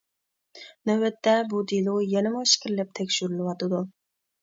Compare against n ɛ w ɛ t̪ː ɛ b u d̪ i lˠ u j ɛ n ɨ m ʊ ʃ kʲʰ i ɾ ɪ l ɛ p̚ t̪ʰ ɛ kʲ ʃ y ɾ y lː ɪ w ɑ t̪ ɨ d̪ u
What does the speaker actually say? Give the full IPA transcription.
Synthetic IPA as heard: n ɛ w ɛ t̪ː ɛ b u d̪ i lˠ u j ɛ n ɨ m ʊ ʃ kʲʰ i ɾ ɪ l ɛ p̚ t̪ʰ ɛ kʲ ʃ y ɾ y l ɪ w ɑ t̪ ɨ d̪ u